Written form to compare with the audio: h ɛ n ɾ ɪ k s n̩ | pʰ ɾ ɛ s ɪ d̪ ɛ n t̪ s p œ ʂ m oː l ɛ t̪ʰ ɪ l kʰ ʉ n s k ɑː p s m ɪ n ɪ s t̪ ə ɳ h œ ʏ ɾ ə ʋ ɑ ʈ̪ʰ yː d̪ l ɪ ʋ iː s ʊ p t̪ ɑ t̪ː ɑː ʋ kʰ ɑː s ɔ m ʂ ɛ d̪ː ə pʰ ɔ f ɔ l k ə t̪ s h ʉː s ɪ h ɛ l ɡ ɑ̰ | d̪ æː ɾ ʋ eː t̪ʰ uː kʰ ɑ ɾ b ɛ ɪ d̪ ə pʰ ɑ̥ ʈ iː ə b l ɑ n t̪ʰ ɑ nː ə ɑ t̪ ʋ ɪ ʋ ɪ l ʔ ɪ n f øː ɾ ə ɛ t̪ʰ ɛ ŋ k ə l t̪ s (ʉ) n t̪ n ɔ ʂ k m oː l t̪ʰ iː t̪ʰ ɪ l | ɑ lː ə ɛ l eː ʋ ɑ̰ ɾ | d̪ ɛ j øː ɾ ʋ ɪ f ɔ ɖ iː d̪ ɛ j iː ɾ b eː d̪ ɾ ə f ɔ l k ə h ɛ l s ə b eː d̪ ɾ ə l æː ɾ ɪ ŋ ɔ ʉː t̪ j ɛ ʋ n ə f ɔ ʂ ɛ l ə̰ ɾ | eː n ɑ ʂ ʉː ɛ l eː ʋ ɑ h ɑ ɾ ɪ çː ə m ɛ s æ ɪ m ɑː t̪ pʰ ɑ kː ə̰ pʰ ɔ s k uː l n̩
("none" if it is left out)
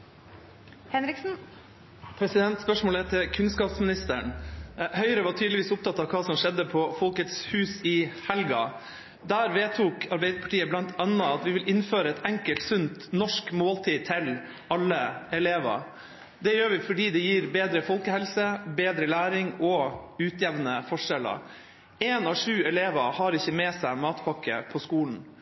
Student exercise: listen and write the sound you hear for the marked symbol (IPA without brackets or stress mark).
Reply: ʉ